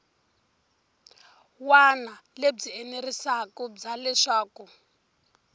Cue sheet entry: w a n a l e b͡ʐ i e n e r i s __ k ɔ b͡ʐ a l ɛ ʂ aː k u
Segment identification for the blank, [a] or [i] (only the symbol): a